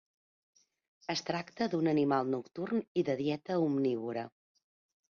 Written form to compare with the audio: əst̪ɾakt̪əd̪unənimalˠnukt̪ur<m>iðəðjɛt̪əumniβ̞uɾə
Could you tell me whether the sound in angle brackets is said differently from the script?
yes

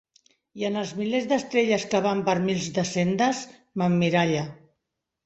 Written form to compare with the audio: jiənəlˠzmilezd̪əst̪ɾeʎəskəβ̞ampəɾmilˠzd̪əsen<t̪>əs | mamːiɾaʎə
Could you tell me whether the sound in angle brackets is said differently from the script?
yes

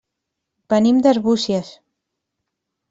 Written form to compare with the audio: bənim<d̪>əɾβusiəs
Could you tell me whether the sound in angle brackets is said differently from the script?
no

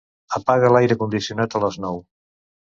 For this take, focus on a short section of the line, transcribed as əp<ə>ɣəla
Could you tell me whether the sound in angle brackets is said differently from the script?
yes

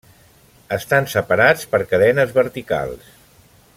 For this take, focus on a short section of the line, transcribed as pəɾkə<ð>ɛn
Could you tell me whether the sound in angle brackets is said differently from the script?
no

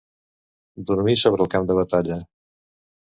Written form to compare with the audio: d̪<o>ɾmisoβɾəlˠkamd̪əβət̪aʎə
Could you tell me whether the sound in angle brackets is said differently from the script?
yes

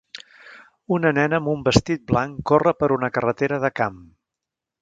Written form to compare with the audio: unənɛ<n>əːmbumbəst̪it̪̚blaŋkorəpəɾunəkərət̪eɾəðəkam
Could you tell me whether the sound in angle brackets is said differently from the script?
no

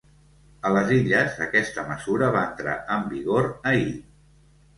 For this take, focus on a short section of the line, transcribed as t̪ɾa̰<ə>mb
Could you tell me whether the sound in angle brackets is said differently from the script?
no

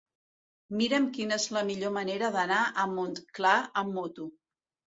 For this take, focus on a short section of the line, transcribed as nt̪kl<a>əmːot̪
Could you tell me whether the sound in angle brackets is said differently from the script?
no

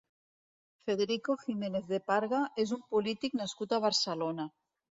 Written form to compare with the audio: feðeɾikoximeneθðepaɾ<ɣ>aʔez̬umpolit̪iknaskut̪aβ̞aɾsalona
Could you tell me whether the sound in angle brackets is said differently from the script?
no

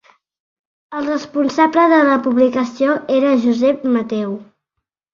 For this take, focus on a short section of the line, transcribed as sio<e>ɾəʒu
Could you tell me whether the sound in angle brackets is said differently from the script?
no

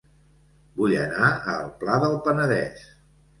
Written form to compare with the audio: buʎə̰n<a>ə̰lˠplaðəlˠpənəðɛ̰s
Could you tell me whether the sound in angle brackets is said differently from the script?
no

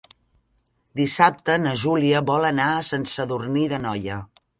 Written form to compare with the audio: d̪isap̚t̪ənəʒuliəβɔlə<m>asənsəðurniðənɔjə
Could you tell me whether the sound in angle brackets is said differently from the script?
yes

